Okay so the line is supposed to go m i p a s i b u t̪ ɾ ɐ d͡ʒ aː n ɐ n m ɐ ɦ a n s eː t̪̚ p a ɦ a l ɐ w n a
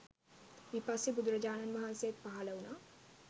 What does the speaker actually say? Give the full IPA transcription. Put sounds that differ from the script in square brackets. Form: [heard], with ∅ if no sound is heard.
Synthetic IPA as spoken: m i p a s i b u [d̪] ɾ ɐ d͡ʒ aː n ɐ n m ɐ ɦ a n s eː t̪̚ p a ɦ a l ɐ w n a